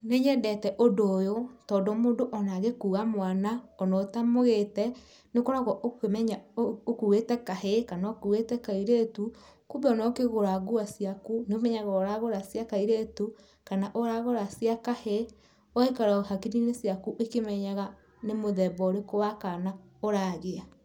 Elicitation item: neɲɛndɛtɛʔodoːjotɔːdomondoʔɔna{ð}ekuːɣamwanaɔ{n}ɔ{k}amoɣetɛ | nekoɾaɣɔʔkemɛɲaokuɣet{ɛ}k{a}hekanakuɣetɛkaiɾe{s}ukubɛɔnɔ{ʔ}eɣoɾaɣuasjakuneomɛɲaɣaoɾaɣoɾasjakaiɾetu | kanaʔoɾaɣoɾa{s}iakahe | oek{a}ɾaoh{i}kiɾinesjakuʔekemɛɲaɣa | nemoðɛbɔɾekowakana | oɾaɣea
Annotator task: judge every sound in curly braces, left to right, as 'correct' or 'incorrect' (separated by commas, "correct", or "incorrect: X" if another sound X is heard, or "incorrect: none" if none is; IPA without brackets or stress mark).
incorrect: ɣ, correct, incorrect: t, correct, correct, incorrect: t, incorrect: k, correct, correct, incorrect: a